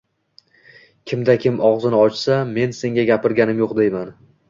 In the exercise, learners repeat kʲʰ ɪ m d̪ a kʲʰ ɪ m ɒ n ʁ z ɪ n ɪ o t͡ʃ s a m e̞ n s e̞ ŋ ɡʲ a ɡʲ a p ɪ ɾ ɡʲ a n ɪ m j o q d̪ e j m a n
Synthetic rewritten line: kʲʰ ɪ m d̪ a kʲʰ ɪ m ɒ ʁ z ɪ n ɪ ɒ t͡ʃ s a m e̞ n s e̞ ŋ ɡʲ a ɡʲ a p ɪ ɾ ɡʲ a n ɪ m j o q d̪ e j m a n